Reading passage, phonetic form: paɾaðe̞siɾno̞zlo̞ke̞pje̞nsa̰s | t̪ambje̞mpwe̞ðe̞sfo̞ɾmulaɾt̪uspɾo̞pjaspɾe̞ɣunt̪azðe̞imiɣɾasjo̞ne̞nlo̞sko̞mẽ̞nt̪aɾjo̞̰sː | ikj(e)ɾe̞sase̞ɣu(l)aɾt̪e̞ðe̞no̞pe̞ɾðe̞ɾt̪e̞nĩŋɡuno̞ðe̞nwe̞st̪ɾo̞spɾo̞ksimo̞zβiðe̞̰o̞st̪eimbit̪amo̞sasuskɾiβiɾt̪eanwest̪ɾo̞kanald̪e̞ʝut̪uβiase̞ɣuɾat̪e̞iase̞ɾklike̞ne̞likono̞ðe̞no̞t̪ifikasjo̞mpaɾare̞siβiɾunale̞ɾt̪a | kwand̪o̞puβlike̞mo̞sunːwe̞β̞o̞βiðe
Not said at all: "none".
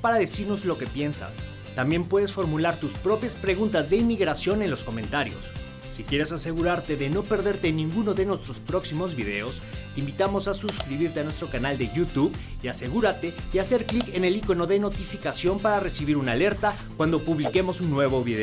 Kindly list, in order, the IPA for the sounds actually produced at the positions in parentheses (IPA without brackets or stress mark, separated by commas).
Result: e, ɾ